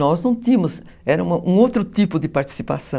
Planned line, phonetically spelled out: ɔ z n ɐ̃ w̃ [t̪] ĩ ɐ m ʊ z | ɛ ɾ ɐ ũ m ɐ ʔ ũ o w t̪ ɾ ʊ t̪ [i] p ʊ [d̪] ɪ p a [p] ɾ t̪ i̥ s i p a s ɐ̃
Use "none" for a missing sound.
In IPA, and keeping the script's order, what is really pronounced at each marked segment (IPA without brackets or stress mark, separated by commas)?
t̪, i, d̪, none